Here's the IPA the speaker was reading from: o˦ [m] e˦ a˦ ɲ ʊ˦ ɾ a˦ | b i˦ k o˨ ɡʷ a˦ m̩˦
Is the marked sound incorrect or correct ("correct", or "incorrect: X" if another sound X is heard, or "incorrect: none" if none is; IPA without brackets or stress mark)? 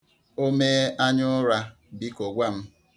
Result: correct